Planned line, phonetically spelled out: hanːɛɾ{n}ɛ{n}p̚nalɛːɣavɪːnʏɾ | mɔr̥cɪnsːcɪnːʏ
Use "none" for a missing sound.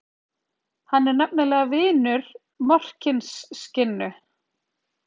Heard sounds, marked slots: n, none

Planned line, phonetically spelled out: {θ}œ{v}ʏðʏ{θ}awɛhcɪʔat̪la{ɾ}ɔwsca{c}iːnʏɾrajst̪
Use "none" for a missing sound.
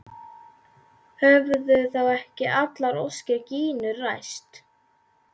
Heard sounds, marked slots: h, v, θ, ɾ, c

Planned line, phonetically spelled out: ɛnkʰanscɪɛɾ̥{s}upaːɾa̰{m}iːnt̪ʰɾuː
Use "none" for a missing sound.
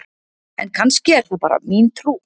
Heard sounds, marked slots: θ, m

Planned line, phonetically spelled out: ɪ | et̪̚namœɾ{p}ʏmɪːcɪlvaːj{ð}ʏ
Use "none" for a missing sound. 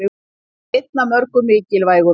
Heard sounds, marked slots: k, ɣ

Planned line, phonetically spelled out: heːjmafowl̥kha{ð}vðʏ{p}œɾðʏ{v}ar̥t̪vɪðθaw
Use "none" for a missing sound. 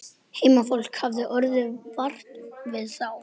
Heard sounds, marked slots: none, ʔ, v

